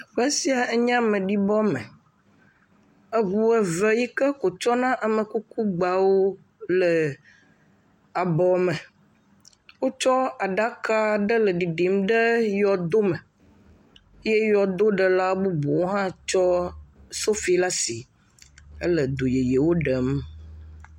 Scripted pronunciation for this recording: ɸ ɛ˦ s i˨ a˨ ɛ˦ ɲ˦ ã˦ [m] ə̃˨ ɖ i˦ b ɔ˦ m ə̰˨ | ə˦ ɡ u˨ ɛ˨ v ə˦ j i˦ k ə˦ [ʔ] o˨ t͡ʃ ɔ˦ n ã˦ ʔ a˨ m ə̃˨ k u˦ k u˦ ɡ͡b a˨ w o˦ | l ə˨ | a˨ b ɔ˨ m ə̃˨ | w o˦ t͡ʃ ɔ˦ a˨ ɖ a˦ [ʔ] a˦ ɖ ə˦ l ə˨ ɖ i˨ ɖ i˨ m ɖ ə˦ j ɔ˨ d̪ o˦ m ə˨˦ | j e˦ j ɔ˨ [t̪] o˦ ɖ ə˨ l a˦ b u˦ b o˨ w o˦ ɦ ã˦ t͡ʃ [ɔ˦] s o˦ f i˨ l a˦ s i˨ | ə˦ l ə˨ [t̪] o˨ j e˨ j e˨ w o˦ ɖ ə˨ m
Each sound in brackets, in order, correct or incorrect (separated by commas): correct, incorrect, incorrect, incorrect, correct, incorrect